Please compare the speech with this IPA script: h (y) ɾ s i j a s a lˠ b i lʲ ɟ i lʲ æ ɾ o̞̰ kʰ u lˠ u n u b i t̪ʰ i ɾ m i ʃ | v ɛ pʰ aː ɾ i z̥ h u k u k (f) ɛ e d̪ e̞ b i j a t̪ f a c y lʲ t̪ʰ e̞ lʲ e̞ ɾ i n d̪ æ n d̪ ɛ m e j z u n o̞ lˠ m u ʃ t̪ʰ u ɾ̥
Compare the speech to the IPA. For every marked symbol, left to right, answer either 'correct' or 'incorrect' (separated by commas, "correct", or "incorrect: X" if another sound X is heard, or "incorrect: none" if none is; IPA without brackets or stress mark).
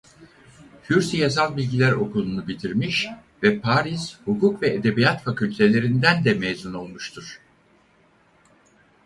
correct, incorrect: v